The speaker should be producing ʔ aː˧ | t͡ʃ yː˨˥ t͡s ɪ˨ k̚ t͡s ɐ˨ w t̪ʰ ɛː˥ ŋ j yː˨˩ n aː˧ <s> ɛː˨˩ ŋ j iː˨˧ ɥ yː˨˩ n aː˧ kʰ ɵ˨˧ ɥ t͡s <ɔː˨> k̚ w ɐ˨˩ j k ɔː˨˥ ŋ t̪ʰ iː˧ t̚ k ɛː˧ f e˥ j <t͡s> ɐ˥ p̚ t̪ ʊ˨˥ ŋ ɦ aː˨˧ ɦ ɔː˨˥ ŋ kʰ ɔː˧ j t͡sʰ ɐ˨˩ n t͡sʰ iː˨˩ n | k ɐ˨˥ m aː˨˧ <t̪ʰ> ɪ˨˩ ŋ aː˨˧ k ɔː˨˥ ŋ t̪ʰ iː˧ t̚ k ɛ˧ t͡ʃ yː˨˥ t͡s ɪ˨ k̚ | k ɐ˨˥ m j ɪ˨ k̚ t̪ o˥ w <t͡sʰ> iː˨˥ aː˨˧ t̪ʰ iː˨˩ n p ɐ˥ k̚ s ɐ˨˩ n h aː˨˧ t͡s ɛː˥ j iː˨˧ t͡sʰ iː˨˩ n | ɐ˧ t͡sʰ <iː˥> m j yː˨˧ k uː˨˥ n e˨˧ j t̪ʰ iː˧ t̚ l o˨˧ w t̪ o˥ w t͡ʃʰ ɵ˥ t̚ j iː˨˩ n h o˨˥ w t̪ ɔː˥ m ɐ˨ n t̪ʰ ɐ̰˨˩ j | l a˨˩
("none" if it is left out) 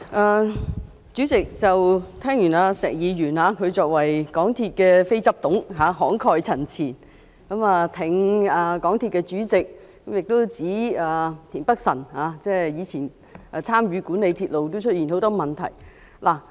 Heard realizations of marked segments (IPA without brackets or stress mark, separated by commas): s, ɔː˨, t͡s, t̪ʰ, t͡s, aː˥